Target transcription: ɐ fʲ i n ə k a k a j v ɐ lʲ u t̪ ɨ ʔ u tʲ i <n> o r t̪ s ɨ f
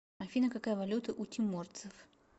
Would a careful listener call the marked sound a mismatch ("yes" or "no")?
yes